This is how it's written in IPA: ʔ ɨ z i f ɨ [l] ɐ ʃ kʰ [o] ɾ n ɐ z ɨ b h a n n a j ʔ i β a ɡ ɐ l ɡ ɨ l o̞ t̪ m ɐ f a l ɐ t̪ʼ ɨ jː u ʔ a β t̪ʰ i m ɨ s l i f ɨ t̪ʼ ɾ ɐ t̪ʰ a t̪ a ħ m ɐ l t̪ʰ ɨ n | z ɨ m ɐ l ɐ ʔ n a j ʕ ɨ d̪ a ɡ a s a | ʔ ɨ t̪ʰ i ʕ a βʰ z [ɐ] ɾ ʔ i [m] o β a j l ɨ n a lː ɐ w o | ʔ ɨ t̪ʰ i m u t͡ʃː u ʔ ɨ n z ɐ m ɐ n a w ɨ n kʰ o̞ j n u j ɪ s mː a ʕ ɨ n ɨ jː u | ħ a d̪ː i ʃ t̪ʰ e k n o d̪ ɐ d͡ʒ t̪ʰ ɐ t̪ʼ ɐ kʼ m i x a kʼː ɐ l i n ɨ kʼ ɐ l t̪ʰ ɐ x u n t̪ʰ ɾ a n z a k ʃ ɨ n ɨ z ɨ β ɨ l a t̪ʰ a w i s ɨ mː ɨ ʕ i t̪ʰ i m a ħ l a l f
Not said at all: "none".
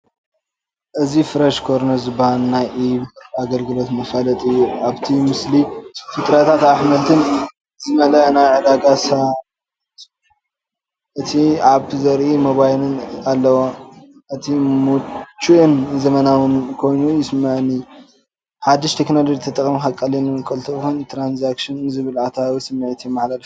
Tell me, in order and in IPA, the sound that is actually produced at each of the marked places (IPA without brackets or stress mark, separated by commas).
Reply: ɾ, o, ɐ, m